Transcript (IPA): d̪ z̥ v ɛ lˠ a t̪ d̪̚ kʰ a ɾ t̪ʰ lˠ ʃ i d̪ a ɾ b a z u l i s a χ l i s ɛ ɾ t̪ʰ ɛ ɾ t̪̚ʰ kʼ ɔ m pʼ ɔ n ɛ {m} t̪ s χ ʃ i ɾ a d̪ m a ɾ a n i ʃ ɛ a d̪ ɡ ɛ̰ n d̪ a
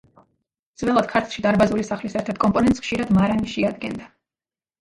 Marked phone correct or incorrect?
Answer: incorrect